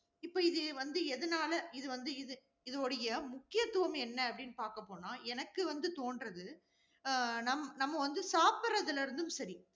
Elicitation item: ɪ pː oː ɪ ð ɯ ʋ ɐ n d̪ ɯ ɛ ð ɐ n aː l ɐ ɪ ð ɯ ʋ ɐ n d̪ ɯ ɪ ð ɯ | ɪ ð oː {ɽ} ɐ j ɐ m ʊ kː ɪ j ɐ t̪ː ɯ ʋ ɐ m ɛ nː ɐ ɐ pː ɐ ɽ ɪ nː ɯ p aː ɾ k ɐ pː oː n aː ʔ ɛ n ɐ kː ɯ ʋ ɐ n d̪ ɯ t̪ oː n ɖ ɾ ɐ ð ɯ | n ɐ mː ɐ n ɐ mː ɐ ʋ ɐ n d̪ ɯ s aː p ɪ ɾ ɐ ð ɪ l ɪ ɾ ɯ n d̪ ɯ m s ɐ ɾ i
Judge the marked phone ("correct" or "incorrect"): correct